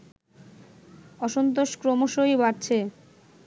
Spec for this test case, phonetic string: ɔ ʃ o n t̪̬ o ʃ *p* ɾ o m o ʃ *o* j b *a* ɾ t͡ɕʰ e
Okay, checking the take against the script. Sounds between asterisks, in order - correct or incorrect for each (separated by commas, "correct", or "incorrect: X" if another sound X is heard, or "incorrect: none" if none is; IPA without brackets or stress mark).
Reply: incorrect: k, correct, correct